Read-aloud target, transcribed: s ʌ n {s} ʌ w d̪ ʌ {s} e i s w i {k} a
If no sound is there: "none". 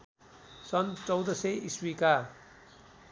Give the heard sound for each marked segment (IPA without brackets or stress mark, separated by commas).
t͡s, s, k